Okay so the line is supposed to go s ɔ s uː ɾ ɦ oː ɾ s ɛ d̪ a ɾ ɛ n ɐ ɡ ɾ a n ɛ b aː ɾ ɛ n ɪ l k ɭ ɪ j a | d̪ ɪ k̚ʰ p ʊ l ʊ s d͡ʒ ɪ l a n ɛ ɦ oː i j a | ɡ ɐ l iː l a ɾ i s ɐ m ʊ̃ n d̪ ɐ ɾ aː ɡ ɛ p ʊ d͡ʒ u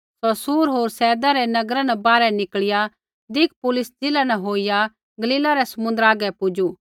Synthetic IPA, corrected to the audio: s ɔ s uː ɾ ɦ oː ɾ s ɛː d̪ a ɾ ɛ n ɐ ɡ ɾ a n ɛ b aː ɾ ɛ n ɪ k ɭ ɪ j a | d̪ ɪ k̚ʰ p ʊ l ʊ s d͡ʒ ɪ l a n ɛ ɦ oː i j a | ɡ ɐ l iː l a ɾ ɛ s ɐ m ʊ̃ n d̪ ə ɾ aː ɡ ɛ p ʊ d͡ʒ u

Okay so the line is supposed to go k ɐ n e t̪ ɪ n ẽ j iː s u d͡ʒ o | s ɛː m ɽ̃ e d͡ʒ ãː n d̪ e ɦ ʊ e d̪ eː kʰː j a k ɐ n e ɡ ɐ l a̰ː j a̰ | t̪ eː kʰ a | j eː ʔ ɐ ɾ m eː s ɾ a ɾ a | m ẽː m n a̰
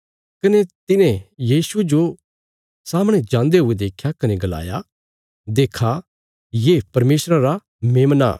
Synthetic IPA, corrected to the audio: k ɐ n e t̪ ɪ n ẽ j iː s u d͡ʒ o | s aː m ɽ̃ e d͡ʒ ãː n d̪ e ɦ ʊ e d̪ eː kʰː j a k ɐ n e ɡ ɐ l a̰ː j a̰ | d̪ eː kʰ a | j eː p ɐ ɾ m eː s ɾ a ɾ a | m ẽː m n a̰

